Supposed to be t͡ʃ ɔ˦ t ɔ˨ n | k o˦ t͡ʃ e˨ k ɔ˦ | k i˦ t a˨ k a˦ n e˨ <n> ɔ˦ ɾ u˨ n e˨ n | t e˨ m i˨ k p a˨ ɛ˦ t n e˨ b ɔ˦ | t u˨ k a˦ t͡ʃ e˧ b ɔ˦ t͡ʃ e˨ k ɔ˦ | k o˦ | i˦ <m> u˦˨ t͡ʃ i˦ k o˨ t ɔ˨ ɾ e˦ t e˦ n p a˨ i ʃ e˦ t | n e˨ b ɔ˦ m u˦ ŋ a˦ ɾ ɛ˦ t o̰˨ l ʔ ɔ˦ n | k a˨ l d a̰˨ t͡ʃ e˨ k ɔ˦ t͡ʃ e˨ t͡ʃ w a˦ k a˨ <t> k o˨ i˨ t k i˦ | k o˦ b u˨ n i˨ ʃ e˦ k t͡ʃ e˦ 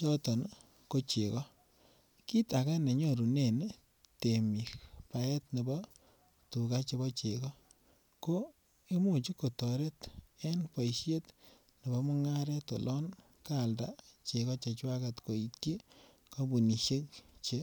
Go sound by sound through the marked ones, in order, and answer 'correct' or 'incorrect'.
incorrect: ɲ, correct, correct

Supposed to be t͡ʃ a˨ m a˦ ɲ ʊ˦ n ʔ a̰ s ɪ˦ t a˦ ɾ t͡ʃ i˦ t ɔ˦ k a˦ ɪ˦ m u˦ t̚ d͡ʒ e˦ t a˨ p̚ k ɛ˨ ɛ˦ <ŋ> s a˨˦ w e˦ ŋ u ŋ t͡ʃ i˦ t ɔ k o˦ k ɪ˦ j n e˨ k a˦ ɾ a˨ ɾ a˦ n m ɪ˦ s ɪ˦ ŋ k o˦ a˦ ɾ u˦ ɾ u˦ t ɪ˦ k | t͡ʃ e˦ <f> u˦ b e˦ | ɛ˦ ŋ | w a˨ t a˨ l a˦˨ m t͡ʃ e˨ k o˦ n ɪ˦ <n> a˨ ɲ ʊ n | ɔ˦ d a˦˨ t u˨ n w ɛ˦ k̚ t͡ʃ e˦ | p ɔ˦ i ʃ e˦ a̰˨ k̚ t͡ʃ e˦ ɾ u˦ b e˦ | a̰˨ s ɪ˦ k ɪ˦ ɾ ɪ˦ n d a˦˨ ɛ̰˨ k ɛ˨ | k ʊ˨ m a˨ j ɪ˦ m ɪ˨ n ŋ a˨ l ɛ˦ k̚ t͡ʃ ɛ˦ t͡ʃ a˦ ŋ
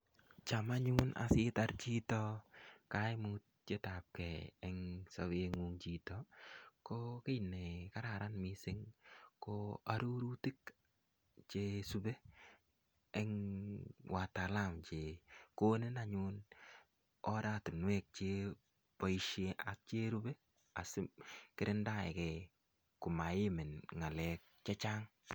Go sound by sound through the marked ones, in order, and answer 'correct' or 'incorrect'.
correct, incorrect: s, correct

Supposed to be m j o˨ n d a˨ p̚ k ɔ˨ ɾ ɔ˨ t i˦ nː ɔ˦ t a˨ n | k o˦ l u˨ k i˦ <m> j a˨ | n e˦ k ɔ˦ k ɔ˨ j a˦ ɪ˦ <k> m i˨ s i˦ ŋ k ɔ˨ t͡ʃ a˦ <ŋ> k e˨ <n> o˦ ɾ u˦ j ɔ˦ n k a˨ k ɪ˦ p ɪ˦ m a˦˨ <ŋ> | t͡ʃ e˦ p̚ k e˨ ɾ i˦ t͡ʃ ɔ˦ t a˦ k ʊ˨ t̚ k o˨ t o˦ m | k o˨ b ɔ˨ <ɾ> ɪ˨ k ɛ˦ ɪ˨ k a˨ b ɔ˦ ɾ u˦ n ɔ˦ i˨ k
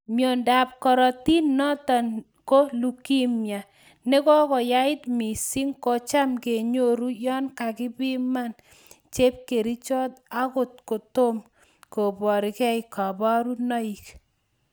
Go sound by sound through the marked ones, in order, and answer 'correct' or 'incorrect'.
correct, incorrect: t, incorrect: m, incorrect: ɲ, incorrect: n, correct

